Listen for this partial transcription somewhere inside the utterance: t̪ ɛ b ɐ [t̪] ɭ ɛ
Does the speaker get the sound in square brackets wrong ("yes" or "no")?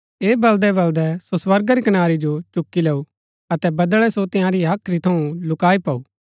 yes